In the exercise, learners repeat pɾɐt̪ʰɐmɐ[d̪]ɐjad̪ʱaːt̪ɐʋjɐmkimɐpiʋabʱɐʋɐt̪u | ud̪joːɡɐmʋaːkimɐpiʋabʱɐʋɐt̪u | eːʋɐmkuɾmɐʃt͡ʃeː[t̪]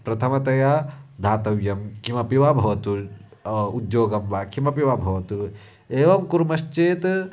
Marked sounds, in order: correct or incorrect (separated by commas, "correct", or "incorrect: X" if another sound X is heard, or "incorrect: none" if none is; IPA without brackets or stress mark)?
incorrect: t̪, correct